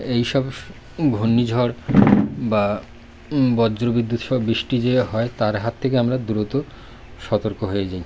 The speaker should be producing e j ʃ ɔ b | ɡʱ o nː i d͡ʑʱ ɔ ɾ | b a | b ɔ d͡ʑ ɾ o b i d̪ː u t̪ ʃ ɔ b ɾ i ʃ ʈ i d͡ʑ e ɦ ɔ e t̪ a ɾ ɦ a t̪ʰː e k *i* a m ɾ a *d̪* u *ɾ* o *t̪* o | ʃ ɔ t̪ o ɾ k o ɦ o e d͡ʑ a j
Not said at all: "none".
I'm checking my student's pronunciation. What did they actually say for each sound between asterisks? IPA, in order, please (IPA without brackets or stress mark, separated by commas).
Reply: e, d̪, ɾ, t̪